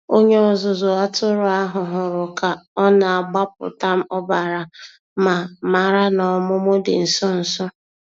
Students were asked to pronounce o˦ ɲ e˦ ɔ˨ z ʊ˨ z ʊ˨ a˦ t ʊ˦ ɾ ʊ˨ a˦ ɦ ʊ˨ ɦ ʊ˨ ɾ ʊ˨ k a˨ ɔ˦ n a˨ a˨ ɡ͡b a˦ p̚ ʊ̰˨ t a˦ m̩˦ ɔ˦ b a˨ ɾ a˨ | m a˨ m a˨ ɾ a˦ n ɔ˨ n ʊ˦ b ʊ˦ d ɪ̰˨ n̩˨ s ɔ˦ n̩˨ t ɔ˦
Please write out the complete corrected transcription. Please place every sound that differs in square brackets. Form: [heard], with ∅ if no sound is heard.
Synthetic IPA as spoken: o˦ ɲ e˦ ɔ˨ z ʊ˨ z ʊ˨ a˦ t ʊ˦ ɾ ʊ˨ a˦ ɦ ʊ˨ ɦ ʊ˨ ɾ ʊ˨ k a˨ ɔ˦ n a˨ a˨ ɡ͡b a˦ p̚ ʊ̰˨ t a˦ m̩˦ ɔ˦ b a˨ ɾ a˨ | m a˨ m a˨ ɾ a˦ n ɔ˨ [m] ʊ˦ [m] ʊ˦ d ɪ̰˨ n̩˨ s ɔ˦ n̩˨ [s] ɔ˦